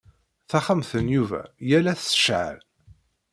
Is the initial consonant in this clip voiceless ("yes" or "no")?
yes